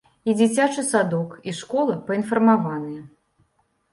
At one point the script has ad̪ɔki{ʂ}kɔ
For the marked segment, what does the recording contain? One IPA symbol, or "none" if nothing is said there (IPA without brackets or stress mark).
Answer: ʂ